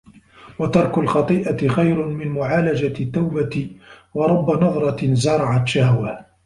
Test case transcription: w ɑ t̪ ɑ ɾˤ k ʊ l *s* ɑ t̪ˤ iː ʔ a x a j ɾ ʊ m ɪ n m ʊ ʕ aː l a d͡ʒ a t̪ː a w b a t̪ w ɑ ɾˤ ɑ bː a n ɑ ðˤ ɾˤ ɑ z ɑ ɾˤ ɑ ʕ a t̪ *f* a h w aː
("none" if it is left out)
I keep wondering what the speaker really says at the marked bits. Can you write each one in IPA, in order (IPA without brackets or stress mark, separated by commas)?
x, ʃ